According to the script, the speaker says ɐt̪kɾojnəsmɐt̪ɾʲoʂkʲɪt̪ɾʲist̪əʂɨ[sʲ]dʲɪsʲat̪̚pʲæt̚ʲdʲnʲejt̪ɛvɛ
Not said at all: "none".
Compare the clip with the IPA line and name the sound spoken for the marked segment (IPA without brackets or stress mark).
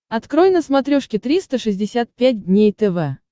zʲ